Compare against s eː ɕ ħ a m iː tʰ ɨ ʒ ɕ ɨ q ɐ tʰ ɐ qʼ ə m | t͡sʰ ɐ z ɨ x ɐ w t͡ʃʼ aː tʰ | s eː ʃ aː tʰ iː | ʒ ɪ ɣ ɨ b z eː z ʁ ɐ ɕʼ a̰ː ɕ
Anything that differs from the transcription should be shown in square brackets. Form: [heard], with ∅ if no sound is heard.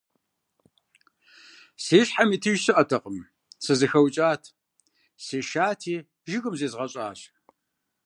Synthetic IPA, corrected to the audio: s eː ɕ ħ a m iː tʰ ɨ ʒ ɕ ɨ [ʔ] ɐ tʰ ɐ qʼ ə m | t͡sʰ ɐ z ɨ x ɐ w t͡ʃʼ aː tʰ | s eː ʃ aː tʰ iː | ʒ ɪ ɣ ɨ [m] z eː z ʁ ɐ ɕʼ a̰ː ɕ